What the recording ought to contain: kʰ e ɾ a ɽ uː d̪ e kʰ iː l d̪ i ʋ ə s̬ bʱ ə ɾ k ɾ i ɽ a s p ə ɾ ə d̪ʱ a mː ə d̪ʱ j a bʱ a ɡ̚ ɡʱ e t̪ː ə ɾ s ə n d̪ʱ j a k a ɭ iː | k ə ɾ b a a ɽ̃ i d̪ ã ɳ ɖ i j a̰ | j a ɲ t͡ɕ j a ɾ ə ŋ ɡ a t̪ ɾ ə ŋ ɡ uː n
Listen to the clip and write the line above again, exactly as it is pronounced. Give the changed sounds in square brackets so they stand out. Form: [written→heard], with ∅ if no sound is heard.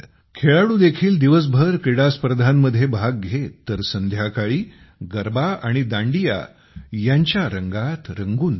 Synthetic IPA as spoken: kʰ e [ɾ→ɭ] a ɽ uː d̪ e kʰ iː l d̪ i ʋ ə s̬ bʱ ə ɾ k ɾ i ɽ a s p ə ɾ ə d̪ʱ a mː ə d̪ʱ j [a→e] bʱ a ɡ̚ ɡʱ e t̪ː ə ɾ s ə n d̪ʱ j a k a ɭ iː | [k→ɡ] ə ɾ b a a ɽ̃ i d̪ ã ɳ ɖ i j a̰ | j a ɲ t͡ɕ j a ɾ ə ŋ ɡ a t̪ ɾ ə ŋ ɡ uː n